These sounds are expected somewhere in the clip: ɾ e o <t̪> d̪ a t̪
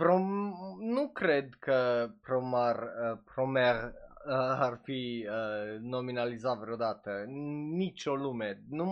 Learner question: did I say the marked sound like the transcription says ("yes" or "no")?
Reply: no